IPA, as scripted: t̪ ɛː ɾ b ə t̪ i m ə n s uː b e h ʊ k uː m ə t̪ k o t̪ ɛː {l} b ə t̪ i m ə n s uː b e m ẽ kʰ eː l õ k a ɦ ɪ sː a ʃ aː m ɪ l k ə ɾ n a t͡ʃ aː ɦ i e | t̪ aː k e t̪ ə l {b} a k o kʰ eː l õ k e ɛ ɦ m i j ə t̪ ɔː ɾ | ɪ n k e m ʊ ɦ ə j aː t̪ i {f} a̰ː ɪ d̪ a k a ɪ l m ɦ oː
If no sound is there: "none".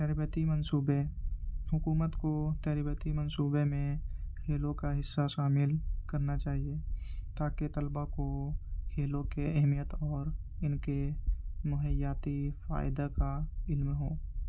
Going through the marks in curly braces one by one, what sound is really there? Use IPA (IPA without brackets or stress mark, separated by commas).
ɾ, b, f